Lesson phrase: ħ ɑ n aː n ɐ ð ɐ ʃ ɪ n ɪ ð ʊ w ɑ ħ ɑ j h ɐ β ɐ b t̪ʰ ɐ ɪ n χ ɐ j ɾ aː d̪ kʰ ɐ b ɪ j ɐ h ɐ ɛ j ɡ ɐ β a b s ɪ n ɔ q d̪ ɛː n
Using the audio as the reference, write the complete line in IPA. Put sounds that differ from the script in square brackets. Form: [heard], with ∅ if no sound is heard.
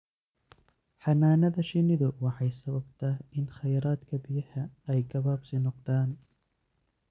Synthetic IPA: ħ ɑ n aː n ɐ ð ɐ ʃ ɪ n ɪ ð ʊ w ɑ ħ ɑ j [s] ɐ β ɐ b t̪ʰ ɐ ɪ n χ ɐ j ɾ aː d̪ kʰ ɐ b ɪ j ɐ h ɐ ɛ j ɡ ɐ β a b s ɪ n ɔ q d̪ [aː] n